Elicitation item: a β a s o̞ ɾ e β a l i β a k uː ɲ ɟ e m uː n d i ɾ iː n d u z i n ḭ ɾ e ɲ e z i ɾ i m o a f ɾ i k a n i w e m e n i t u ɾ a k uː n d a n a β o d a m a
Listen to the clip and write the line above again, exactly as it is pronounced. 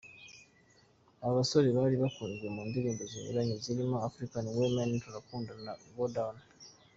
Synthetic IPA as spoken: a β a s o̞ ɾ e β a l i β a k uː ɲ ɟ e m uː n d i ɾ iː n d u z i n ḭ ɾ a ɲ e z i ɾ i m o a f ɾ i k a n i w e m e n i t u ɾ a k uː n d a n a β o d a n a